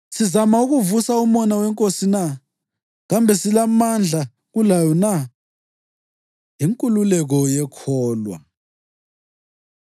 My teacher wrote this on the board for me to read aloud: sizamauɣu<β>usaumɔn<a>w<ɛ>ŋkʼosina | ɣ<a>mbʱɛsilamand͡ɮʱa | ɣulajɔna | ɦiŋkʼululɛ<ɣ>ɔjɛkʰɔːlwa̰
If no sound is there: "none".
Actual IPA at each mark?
v, a, ɛ, a, ɣ

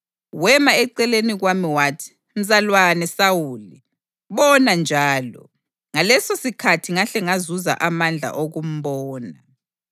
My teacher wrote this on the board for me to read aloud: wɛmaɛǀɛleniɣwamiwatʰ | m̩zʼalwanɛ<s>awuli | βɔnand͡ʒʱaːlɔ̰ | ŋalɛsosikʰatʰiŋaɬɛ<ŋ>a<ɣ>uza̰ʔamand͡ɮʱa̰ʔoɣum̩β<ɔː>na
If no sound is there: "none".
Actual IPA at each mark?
s, ŋ, z, ɔː

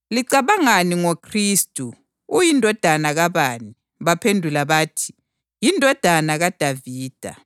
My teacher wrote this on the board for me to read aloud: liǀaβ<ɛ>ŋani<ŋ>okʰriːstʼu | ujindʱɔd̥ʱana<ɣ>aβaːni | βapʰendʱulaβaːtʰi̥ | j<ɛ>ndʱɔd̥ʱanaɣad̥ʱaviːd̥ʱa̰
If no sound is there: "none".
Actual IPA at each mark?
a, ŋ, ɣ, i

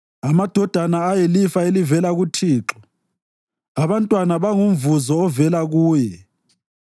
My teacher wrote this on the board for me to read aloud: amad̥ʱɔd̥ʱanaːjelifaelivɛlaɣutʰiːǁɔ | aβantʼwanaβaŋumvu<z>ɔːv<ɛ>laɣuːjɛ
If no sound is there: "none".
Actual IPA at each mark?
z, ɛ

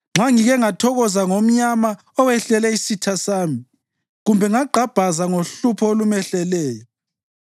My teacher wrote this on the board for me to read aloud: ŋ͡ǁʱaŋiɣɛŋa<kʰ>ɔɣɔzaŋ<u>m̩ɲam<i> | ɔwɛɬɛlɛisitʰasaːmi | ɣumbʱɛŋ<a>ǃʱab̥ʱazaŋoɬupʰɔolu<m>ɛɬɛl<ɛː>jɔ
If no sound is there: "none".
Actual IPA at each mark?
tʰ, o, a, a, m, ɛː

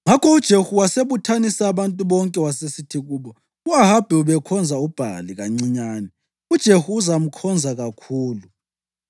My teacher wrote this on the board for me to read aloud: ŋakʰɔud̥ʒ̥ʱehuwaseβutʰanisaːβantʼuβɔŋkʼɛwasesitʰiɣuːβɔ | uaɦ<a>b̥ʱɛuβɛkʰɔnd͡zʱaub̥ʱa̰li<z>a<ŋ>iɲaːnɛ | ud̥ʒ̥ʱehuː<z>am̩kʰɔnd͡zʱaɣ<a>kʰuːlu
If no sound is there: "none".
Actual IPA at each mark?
a, ɣ, ŋ͡ǀ, z, a

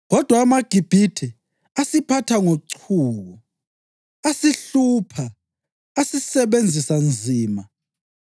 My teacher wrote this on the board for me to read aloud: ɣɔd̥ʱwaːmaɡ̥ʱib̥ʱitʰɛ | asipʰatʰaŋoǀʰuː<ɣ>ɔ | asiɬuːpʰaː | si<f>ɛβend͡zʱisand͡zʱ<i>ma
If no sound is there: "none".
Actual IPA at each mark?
ɣ, s, iː

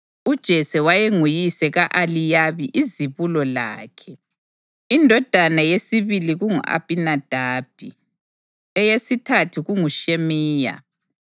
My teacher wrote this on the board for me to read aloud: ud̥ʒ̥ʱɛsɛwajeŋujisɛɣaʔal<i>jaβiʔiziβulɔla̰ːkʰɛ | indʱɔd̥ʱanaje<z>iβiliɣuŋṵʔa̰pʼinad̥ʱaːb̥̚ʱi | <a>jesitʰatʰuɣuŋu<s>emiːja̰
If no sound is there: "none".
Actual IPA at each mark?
i, s, ɛ, ʃ

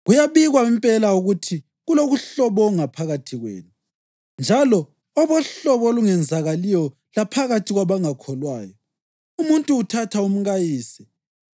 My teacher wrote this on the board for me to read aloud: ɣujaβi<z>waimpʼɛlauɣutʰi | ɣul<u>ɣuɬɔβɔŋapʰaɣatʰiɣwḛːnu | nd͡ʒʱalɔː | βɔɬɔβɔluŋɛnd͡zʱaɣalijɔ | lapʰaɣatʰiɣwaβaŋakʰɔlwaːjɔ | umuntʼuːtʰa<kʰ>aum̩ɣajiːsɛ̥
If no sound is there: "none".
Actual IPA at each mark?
ɣ, o, tʰ

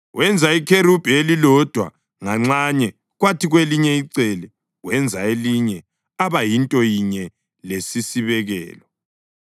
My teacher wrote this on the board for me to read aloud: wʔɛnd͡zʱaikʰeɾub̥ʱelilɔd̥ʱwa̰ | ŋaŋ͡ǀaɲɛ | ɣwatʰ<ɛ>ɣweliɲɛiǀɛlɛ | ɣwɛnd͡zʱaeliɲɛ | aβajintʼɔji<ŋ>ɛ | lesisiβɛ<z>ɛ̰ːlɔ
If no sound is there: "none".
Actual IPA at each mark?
i, ɲ, ɣ

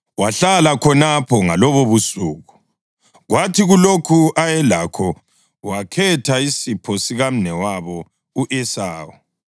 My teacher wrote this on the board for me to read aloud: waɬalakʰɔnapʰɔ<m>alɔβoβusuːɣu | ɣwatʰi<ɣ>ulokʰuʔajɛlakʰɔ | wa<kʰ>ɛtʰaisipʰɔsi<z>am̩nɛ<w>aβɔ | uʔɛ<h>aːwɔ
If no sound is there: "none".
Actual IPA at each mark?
ŋ, ɣ, kʰ, ɣ, w, s

